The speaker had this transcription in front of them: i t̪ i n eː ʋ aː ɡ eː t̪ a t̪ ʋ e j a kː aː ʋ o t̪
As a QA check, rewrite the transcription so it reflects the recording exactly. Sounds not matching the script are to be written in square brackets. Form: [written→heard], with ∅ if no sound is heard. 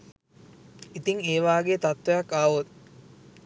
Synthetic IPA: i t̪ i [n→ŋ] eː ʋ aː ɡ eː t̪ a t̪ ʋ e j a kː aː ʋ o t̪